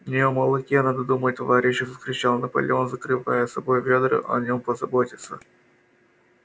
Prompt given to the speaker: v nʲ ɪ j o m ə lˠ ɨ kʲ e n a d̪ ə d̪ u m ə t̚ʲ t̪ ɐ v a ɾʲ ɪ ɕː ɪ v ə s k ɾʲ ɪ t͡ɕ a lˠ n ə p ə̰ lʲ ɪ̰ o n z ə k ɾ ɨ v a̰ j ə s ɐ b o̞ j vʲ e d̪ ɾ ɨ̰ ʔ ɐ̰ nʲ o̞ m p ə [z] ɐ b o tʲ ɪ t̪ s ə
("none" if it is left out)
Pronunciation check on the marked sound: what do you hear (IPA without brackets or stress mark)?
z